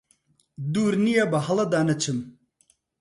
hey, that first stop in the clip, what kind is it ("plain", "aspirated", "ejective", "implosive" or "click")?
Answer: plain